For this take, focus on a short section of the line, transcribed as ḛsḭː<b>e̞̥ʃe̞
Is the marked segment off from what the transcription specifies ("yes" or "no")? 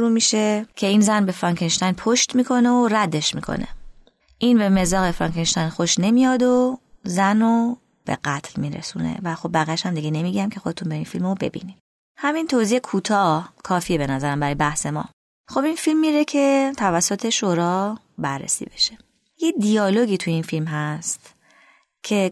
no